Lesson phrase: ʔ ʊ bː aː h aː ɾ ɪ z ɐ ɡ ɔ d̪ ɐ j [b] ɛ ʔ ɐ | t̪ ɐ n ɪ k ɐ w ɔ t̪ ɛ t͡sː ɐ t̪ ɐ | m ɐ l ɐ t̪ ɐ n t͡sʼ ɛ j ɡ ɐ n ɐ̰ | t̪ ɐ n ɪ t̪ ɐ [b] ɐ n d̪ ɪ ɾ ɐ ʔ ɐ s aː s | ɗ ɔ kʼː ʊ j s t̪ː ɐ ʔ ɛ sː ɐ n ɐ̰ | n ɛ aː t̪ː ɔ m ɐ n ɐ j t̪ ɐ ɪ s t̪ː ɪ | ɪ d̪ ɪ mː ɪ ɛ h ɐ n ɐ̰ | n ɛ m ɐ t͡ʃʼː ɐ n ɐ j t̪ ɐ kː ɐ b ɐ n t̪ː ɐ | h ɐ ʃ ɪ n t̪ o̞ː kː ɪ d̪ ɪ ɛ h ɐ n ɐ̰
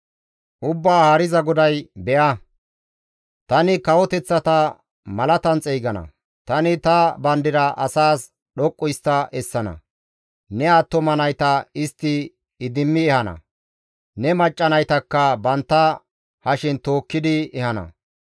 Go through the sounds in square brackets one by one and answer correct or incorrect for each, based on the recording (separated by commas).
correct, correct